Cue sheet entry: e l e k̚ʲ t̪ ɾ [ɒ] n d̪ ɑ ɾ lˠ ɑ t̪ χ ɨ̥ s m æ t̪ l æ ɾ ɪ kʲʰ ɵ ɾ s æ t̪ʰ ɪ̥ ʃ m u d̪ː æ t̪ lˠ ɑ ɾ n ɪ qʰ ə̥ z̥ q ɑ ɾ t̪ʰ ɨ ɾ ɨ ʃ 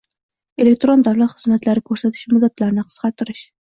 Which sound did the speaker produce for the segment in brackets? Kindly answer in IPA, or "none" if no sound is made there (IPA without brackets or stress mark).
o